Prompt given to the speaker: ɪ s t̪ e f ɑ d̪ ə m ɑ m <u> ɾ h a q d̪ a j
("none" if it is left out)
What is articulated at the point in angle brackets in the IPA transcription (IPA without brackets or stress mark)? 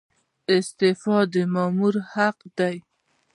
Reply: u